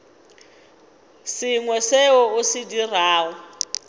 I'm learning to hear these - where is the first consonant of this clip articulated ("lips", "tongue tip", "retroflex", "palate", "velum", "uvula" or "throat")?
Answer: tongue tip